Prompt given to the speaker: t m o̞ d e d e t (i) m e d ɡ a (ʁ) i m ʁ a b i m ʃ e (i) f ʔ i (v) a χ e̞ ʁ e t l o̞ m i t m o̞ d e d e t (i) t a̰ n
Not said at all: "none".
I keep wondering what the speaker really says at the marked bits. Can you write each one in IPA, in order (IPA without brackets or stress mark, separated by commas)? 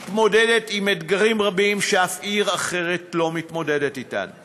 i, ʁ, a, ʁ, i